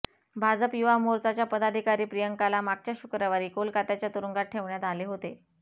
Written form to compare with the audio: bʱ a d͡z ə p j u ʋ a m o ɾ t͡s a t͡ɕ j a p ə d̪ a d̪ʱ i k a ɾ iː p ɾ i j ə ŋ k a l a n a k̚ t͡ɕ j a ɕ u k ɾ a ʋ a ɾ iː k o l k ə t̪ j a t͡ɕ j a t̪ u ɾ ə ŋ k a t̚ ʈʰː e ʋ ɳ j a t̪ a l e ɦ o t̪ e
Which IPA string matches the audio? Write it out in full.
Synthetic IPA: bʱ a d͡z ə p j u ʋ a m o ɾ t͡s a t͡ɕ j a p ə d̪ a d̪ʱ i k a ɾ iː p ɾ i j ə ŋ k a l a m a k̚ t͡ɕ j a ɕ u k ɾ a ʋ a ɾ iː k o l k a t̪ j a t͡ɕ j a t̪ u ɾ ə ŋ ɡ a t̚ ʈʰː e ʋ ɳ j a t̪ a l e ɦ o t̪ e